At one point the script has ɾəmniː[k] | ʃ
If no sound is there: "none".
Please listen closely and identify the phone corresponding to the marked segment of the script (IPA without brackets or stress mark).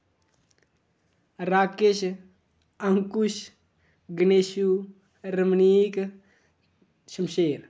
k